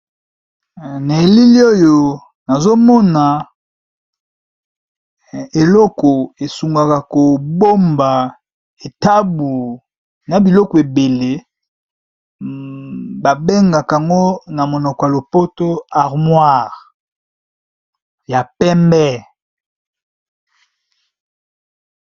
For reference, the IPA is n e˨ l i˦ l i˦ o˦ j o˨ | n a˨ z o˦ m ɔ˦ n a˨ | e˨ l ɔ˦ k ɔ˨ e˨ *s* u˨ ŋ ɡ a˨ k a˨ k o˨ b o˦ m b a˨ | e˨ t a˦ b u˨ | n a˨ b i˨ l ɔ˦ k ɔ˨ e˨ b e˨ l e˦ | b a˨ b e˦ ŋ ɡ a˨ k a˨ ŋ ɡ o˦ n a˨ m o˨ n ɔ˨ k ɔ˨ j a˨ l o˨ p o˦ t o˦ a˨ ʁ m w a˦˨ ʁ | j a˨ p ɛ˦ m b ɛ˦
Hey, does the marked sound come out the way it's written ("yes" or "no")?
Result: yes